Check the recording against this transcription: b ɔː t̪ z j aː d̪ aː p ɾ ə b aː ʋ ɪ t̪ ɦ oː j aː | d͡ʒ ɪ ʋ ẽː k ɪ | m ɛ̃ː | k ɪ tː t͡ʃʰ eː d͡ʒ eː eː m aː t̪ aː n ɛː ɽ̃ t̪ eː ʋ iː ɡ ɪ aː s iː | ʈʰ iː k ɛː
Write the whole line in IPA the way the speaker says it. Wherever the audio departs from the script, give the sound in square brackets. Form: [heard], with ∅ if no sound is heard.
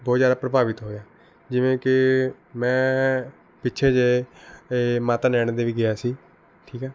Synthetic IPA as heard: b ɔː t̪ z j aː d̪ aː p ɾ ə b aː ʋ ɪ t̪ ɦ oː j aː | d͡ʒ ɪ ʋ ẽː k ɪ | m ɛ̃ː | [p] ɪ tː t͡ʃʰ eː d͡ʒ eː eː m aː t̪ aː n ɛː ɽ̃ [d̪] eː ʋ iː ɡ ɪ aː s iː | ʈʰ iː k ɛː

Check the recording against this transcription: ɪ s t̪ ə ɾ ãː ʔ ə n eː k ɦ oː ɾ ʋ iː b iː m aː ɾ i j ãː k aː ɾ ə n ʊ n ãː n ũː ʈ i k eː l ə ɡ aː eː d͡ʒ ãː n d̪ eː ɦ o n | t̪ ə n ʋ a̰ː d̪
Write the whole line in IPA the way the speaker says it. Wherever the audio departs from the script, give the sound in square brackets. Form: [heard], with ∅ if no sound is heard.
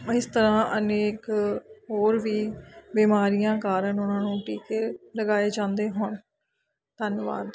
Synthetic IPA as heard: ɪ s t̪ ə ɾ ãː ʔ ə n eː k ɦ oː ɾ ʋ iː b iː m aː ɾ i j ãː k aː ɾ ə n ʊ n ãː n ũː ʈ [iː] k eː l ə ɡ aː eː d͡ʒ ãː n d̪ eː ɦ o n | t̪ ə n ʋ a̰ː d̪

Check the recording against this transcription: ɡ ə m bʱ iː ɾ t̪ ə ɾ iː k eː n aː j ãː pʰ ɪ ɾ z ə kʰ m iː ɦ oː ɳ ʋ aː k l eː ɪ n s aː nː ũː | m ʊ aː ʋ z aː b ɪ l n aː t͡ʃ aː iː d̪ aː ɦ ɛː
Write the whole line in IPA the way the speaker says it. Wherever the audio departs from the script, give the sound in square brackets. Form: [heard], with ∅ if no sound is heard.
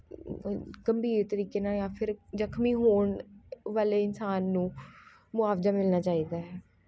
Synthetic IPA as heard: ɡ ə m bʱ iː ɾ t̪ ə ɾ iː k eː n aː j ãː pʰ ɪ ɾ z ə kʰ m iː ɦ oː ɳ ʋ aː [∅] l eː ɪ n s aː nː ũː | m ʊ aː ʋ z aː [m] ɪ l n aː t͡ʃ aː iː d̪ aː ɦ ɛː

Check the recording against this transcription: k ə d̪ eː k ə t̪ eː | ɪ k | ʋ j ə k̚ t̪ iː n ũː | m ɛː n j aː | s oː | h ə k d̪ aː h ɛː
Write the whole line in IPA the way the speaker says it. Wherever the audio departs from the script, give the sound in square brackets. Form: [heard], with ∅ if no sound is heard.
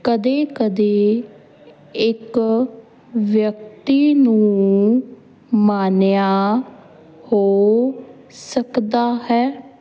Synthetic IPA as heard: k ə d̪ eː k ə [d̪] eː | ɪ k | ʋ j ə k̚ t̪ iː n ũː | m [aː] n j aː | [h] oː | [s] ə k d̪ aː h ɛː

